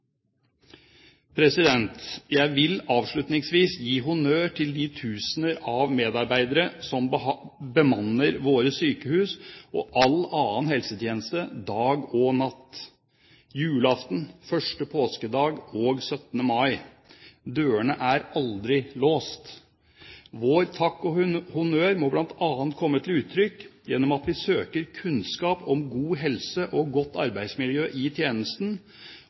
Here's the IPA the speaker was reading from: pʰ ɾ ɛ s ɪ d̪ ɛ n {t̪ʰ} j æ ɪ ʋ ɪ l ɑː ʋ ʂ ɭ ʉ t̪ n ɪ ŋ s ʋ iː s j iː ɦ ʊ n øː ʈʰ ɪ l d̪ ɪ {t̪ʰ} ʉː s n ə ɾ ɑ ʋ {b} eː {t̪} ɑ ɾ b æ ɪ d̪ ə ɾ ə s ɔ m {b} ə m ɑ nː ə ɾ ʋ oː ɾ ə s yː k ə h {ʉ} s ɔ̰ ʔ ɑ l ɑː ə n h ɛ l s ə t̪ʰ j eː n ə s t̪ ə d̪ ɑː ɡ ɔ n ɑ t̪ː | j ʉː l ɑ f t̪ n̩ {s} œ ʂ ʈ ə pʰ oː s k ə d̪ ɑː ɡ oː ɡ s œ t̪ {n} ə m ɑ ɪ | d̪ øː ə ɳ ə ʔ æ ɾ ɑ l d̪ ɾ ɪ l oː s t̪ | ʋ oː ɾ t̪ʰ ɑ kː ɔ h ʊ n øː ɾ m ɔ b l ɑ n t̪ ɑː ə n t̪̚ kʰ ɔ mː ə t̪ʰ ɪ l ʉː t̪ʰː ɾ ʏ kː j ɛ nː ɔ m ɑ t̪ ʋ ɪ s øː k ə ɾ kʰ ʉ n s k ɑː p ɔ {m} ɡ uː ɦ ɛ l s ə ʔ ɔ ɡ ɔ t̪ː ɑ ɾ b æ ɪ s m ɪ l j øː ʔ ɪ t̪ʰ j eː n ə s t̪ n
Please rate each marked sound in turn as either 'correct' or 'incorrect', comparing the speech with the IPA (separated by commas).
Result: incorrect, correct, incorrect, incorrect, correct, incorrect, incorrect, correct, correct